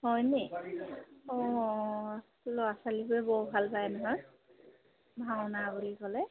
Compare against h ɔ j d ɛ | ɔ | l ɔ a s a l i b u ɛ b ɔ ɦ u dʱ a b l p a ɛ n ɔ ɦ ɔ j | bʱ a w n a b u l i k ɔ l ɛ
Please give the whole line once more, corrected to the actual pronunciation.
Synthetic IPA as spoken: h ɔ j n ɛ | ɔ | l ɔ a s a l i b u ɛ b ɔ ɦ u bʱ a l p a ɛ n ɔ ɦ ɔ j | bʱ a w n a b u l i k ɔ l ɛ